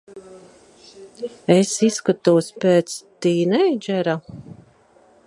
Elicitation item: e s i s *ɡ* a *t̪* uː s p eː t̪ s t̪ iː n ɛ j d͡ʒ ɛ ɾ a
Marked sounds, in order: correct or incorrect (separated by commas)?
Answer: incorrect, correct